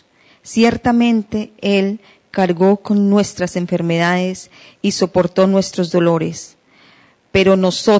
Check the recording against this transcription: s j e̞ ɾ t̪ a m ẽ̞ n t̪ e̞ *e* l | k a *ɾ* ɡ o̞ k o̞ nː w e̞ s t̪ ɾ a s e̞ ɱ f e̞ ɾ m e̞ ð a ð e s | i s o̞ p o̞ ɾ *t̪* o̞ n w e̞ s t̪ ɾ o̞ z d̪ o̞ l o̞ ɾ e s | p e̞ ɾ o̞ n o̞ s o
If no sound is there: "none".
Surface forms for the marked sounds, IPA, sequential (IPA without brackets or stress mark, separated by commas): e, ɾ, t̪